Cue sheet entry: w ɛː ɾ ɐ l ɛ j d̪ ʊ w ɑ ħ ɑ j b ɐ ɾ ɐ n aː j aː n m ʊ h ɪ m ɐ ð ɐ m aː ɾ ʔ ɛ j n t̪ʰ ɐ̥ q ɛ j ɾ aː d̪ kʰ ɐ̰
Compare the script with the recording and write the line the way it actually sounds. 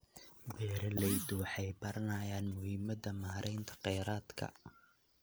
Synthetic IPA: b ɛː ɾ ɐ l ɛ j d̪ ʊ w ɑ ħ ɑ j b ɐ ɾ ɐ n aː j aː n m ʊ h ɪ m ɐ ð ɐ m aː ɾ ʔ ɛ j n t̪ʰ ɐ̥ q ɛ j ɾ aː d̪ kʰ ɐ̰